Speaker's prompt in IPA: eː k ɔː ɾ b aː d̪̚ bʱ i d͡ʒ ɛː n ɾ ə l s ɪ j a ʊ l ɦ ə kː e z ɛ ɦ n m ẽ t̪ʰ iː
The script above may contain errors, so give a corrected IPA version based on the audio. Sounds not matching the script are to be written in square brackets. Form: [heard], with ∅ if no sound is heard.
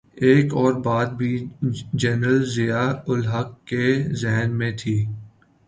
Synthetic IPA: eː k ɔː ɾ b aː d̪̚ bʱ i d͡ʒ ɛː n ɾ ə l [z] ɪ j a ʊ l ɦ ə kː e z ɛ ɦ n m ẽ t̪ʰ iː